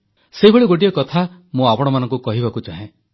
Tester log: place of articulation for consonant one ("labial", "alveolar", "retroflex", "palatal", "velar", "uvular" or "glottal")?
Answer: alveolar